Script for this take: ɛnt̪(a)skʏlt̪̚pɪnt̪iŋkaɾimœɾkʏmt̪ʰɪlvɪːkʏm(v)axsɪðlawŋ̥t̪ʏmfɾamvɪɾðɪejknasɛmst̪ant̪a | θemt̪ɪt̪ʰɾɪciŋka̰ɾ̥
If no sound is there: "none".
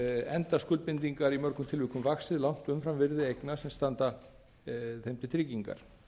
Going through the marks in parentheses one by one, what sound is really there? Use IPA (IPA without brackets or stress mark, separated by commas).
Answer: a, v